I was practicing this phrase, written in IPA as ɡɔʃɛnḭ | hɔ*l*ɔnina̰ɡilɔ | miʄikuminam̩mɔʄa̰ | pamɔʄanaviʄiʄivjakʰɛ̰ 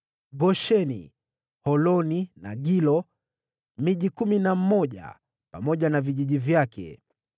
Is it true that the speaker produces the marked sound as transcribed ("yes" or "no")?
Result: yes